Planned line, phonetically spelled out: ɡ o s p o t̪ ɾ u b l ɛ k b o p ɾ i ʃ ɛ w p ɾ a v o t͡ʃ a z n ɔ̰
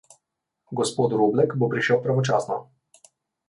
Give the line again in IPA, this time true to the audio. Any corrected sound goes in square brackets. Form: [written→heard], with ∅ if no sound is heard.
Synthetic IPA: ɡ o s p o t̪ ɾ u b l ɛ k b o p ɾ i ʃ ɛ w p ɾ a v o t͡ʃ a [z→s] n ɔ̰